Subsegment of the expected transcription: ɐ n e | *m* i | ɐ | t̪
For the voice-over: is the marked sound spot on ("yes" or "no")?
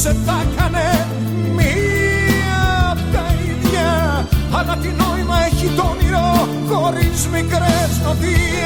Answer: yes